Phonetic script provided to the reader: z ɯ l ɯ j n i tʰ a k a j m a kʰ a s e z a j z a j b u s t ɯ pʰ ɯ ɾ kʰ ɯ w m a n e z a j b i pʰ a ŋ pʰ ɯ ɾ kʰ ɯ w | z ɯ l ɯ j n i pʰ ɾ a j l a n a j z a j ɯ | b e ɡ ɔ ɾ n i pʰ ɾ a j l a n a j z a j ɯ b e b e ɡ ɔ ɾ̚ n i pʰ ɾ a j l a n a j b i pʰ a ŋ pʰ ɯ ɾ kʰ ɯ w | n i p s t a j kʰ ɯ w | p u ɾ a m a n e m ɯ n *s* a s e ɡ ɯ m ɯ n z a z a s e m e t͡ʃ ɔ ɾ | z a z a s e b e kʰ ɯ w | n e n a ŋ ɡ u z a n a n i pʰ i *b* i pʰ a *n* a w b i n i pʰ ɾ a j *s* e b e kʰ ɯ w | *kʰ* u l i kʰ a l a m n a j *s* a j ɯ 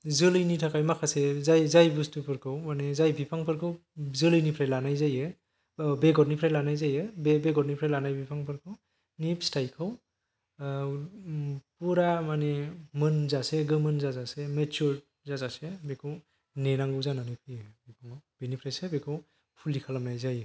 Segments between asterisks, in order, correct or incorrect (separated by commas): incorrect, correct, incorrect, correct, incorrect, incorrect